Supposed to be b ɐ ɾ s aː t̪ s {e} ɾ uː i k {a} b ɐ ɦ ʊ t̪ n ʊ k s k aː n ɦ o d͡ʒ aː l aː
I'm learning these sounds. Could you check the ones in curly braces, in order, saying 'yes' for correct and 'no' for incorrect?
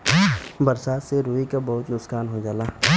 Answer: yes, yes

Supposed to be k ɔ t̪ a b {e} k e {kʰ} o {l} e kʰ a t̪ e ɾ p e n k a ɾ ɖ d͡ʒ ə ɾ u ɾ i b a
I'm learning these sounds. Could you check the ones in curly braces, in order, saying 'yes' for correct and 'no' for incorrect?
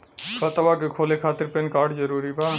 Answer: no, yes, yes

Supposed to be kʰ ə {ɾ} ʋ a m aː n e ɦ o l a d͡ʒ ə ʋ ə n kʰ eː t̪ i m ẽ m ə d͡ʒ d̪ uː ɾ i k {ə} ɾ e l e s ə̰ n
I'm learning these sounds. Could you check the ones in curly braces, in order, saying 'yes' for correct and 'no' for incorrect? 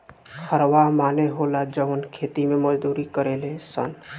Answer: yes, yes

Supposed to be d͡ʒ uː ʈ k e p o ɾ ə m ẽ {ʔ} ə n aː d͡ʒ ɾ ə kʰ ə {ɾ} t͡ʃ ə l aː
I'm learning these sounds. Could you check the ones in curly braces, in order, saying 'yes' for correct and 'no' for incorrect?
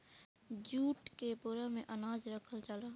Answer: yes, no

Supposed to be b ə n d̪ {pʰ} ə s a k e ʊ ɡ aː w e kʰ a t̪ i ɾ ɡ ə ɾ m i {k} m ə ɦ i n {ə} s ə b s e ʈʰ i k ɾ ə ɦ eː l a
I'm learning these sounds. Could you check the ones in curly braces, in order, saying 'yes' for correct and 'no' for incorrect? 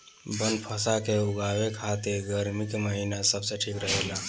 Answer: yes, yes, no

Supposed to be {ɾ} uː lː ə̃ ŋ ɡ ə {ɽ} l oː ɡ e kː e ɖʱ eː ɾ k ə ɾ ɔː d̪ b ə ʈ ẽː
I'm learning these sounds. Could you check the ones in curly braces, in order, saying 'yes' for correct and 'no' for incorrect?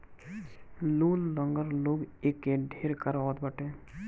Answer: no, no

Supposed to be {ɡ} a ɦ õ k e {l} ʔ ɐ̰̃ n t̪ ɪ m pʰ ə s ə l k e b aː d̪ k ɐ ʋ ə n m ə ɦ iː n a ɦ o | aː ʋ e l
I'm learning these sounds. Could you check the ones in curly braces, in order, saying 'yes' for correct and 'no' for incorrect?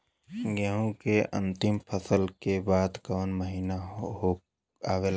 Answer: yes, no

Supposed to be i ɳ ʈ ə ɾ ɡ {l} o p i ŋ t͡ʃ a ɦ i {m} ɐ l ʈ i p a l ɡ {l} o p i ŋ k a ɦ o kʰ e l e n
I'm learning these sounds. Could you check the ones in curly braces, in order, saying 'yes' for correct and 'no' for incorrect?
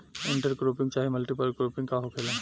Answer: no, yes, no

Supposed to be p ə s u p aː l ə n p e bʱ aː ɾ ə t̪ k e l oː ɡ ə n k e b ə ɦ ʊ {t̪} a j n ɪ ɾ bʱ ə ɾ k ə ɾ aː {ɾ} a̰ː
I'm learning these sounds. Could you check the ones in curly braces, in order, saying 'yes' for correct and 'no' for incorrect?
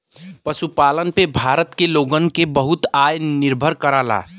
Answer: yes, no

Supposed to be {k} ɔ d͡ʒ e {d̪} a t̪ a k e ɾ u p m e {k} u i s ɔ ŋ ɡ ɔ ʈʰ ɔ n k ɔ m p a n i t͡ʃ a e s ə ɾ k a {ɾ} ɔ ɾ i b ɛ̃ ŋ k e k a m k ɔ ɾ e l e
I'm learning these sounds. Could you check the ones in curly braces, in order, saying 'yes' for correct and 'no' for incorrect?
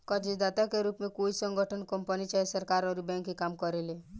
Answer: yes, yes, yes, yes

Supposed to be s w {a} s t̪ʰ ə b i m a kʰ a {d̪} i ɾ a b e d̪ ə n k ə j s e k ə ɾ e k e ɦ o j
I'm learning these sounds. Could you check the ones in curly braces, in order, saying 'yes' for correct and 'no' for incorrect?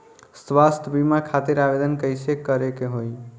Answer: yes, no

